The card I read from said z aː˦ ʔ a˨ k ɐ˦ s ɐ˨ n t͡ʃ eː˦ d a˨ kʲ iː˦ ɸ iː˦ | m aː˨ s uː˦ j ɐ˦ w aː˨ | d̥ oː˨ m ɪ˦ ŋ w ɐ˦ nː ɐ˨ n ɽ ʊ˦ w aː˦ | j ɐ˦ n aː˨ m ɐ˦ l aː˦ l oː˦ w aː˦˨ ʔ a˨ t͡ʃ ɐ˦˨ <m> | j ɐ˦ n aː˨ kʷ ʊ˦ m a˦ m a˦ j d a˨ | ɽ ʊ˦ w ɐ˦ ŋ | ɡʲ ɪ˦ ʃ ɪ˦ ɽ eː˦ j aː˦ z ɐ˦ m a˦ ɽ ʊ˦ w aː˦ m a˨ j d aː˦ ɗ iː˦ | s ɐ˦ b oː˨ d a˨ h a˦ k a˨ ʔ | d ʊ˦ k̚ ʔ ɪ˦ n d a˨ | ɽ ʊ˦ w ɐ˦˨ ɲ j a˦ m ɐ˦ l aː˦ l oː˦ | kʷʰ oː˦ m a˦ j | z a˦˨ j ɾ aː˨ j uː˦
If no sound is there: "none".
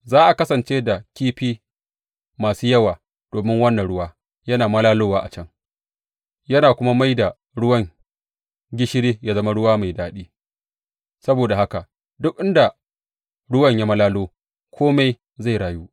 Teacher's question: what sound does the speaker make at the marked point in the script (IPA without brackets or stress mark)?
ŋ